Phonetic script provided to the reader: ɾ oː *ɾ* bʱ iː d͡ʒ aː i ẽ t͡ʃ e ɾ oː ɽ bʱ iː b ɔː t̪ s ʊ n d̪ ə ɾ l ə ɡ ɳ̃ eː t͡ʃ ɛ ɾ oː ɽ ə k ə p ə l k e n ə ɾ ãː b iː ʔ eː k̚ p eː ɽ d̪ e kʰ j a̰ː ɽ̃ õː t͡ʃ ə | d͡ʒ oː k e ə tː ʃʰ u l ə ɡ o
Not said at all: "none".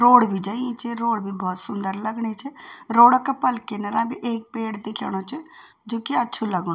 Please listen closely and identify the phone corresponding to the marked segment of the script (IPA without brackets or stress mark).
ɽ